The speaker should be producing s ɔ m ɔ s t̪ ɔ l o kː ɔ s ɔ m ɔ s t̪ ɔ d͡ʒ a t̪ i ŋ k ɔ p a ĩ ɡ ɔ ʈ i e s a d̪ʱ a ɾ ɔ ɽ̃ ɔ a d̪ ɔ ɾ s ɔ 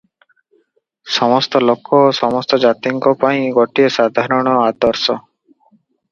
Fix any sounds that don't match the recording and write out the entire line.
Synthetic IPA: s ɔ m ɔ s t̪ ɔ l o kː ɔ s ɔ m ɔ s t̪ ɔ d͡ʒ a t̪ i ŋ k ɔ p a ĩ ɡ ɔ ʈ i e s a d̪ʱ a ɾ ɔ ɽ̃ ɔ a d̪ ɔ ɾ s ɔ